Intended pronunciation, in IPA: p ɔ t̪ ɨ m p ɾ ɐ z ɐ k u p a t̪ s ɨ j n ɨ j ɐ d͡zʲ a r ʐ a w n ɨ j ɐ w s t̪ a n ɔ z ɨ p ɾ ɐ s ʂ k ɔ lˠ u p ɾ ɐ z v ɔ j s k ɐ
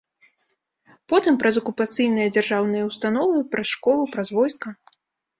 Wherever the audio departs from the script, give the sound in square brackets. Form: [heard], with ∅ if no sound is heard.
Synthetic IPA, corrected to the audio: p ɔ t̪ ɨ m p ɾ ɐ z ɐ k u p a t̪ s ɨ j n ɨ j ɐ d͡zʲ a r ʐ a w n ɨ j ɐ w s t̪ a n ɔ [v] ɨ p ɾ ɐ s ʂ k ɔ lˠ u p ɾ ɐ z v ɔ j s k ɐ